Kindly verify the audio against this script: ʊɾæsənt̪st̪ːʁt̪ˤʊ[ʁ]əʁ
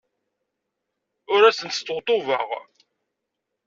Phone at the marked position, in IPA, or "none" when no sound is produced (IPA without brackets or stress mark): v